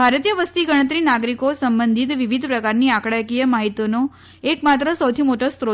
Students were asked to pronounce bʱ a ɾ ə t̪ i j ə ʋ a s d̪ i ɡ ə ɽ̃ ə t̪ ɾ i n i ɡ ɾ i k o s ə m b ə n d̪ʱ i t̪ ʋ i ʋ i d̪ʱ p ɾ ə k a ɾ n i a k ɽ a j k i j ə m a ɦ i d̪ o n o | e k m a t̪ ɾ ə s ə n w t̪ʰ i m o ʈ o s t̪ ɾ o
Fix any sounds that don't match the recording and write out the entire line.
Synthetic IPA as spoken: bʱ a ɾ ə t̪ i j ə ʋ ə s t̪ i ɡ ə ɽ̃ ə t̪ ɾ i n a ɡ ɾ i k o s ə m b ə n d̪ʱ i t̪ ʋ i ʋ i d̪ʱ p ɾ ə k a ɾ n i a k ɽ a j k i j ə m a ɦ i t̪ o n o | e k m a t̪ ɾ ə s ə w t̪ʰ i m o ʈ o s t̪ ɾ o